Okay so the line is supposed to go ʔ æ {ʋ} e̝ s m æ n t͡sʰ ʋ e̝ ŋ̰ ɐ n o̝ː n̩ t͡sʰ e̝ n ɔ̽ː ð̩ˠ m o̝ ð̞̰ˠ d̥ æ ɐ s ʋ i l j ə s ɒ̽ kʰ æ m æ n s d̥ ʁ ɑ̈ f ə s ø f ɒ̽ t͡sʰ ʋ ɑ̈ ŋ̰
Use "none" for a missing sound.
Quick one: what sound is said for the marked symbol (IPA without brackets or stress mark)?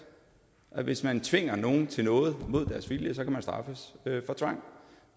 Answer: ʋ